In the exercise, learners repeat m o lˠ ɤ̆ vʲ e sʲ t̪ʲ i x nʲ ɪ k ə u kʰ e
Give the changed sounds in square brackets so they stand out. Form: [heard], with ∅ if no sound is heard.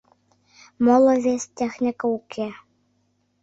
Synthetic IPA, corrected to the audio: m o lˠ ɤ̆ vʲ e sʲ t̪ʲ [e] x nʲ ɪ k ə u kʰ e

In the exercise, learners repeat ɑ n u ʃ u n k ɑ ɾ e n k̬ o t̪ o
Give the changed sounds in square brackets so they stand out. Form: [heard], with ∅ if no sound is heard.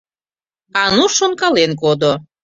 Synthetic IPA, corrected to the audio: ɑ n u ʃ [o] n k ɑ [l] e n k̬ o [d̪] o

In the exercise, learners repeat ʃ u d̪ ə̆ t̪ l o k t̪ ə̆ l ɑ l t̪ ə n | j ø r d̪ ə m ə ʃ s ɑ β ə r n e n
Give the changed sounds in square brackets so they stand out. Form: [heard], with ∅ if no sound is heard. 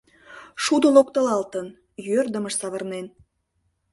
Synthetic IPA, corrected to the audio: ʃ u d̪ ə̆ [∅] l o k t̪ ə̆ l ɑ l t̪ ə n | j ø r d̪ ə m ə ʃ s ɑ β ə r n e n

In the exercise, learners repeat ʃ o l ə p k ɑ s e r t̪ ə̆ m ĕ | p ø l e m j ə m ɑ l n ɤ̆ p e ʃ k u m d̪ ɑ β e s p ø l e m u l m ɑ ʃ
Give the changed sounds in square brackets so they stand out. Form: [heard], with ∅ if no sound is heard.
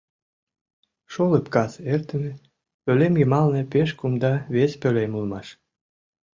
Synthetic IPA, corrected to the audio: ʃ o l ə p k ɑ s e r t̪ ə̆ m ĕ | p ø l e m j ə m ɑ l n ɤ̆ p e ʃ k u m d̪ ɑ β e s p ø l e m u l m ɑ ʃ

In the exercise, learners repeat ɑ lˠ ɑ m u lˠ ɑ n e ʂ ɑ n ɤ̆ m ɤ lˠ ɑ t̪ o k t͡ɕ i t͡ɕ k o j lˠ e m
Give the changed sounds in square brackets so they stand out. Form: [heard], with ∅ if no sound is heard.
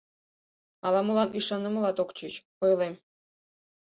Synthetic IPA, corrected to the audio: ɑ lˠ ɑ m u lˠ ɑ n [i] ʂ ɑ n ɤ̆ m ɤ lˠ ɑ t̪ o k t͡ɕ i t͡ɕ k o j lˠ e m

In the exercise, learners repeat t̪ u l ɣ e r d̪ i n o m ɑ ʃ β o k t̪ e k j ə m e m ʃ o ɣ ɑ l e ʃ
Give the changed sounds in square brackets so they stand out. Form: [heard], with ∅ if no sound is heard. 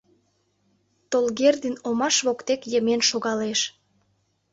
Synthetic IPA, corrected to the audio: t̪ [o] l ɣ e r d̪ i n o m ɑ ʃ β o k t̪ e k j ə m e [n] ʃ o ɣ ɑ l e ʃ

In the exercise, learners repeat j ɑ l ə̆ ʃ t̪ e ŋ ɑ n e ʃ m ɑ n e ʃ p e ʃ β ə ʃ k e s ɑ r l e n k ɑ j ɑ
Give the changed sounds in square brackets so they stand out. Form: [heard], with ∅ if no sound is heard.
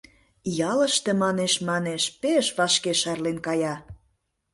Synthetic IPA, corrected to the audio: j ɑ l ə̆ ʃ t̪ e [m] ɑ n e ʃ m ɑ n e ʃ p e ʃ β [ɑ] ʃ k e [ʃ] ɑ r l e n k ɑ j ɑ

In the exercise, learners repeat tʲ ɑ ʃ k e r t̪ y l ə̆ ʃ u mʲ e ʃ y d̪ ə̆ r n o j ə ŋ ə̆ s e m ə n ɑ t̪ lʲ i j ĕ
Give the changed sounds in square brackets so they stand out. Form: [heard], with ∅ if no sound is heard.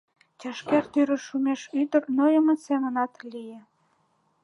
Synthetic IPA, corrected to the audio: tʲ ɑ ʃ k e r t̪ y [ɾ] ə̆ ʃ u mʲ e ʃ y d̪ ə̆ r n o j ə [m] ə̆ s e m ə n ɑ t̪ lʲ i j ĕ

